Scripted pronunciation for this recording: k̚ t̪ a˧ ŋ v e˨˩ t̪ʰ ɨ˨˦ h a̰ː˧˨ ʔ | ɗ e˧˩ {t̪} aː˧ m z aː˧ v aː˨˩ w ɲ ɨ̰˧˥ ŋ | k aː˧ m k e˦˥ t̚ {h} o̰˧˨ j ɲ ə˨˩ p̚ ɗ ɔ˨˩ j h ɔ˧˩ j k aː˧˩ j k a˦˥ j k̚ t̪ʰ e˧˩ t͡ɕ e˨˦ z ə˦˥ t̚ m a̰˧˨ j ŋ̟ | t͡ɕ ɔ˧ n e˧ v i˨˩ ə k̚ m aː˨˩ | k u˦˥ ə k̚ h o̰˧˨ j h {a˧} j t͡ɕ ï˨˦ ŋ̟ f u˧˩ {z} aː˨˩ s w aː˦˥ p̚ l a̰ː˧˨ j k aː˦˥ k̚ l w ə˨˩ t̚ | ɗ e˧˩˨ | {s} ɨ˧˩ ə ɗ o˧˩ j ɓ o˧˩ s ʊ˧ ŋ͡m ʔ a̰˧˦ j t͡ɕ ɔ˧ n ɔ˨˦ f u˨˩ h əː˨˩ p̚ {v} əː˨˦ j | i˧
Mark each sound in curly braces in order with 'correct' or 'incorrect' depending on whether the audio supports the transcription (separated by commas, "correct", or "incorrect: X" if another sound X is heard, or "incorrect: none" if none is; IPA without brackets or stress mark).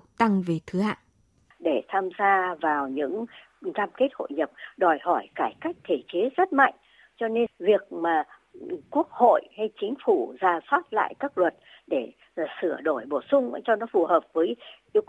incorrect: t̪ʰ, correct, correct, correct, correct, correct